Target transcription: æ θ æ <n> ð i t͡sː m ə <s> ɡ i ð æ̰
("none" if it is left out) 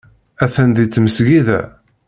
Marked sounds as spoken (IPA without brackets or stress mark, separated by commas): n, s